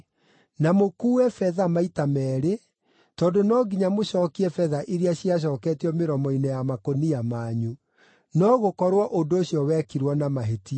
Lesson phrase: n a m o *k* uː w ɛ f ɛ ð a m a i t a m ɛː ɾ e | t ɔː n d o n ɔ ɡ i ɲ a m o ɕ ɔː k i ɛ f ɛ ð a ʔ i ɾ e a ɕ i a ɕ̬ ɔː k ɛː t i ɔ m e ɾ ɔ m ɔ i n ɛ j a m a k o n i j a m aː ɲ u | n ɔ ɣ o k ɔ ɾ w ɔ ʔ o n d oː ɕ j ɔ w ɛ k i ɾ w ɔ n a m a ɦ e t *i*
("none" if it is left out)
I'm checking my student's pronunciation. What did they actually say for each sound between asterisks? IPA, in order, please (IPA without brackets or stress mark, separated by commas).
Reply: k, i